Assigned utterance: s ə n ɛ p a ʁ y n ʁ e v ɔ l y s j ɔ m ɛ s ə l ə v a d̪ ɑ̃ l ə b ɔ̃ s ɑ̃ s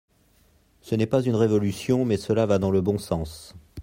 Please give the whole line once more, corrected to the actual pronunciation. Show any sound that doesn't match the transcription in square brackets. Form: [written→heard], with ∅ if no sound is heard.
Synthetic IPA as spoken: s ə n ɛ p a [ʁ→z] y n ʁ e v ɔ l y s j [ɔ→ɔ̃] m ɛ s ə l [ə→a] v a d̪ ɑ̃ l ə b ɔ̃ s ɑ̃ s